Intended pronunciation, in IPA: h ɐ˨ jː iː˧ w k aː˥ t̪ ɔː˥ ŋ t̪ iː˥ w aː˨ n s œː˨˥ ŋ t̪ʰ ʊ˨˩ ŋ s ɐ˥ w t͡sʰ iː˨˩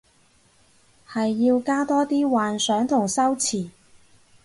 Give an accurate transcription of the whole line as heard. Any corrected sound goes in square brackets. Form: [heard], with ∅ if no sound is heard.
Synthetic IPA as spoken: h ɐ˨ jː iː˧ w k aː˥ t̪ ɔː˥ [∅] t̪ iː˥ w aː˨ n s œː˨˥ ŋ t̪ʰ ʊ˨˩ ŋ s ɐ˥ w t͡sʰ iː˨˩